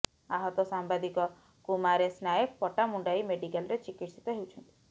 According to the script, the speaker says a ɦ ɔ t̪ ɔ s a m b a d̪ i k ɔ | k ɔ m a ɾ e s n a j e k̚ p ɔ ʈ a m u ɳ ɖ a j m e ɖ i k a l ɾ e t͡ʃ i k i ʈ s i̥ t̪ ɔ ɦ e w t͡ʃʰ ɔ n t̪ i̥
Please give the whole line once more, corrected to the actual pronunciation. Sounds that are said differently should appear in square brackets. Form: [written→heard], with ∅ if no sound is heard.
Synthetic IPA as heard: a ɦ ɔ t̪ ɔ s a m b a d̪ i k ɔ | k [ɔ→u] m a ɾ e s n a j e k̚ p ɔ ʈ a m u ɳ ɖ a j m e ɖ i k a l ɾ e t͡ʃ i k i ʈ s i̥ t̪ ɔ ɦ e w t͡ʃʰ ɔ n t̪ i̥